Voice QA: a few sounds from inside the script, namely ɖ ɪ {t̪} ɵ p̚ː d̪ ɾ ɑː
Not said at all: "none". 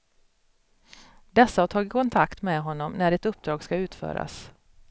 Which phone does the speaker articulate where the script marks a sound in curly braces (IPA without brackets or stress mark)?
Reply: t̪